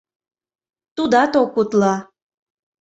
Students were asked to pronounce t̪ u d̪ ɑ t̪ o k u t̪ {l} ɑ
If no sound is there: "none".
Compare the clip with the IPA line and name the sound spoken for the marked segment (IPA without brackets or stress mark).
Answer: l